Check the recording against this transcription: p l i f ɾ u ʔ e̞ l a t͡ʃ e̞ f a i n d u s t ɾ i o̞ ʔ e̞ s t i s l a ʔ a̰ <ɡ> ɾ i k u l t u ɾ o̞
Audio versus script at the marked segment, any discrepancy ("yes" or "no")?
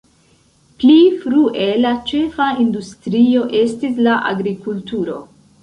no